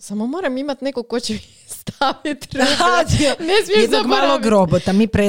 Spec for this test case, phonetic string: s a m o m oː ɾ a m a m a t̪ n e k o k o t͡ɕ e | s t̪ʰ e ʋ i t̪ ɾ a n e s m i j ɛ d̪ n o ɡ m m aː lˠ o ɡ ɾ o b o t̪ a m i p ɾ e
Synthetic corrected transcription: s a m o m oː ɾ a m i m a t̪ n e k o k o t͡ɕ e | s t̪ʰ a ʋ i t̪ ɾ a n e s m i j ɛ d̪ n o ɡ m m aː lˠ o ɡ ɾ o b o t̪ a m i p ɾ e